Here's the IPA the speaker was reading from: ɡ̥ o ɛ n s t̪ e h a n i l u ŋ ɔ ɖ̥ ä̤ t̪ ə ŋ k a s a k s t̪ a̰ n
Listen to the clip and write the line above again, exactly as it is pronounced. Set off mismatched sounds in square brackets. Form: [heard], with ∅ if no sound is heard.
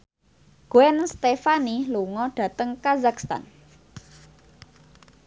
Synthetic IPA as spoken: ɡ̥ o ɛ n s t̪ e [f] a n i l u ŋ ɔ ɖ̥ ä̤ t̪ ə ŋ k a [z] a k s t̪ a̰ n